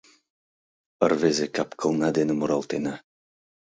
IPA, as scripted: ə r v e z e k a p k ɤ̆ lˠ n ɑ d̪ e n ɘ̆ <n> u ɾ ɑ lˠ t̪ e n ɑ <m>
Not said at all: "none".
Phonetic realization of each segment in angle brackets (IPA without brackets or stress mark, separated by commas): m, none